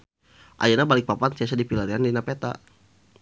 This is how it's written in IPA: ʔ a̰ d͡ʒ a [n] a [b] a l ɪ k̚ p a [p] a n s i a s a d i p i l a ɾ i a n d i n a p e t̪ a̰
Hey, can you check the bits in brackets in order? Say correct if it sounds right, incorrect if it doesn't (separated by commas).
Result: correct, correct, correct